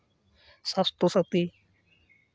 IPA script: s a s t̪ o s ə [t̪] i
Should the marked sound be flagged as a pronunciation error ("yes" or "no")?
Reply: no